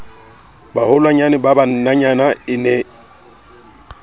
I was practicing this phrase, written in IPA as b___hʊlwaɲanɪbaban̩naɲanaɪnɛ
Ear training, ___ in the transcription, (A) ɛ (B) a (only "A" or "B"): B